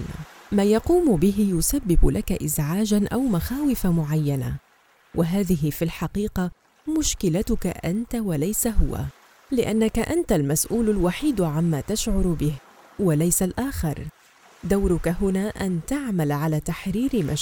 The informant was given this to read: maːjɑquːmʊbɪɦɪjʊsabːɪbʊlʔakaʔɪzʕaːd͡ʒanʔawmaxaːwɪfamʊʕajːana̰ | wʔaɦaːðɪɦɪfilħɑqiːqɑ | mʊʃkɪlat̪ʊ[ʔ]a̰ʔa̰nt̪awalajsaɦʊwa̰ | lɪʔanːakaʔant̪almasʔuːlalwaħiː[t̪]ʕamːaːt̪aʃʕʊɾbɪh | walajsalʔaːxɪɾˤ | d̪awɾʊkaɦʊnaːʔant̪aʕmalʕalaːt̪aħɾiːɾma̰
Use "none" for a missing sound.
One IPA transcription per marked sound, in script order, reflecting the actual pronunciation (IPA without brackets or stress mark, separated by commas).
k, d̪